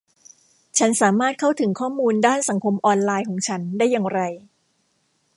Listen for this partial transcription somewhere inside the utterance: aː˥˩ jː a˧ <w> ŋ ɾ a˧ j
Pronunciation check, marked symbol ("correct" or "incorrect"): incorrect